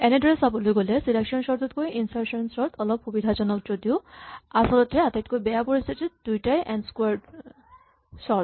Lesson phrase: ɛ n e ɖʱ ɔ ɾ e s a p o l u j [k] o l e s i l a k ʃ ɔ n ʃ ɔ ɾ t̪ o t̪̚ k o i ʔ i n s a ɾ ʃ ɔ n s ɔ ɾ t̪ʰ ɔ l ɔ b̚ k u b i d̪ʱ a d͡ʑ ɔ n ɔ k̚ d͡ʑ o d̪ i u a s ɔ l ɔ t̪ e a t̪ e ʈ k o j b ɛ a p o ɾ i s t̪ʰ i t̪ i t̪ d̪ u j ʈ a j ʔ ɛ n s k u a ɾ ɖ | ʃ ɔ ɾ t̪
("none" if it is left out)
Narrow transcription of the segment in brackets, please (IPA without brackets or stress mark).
ɡ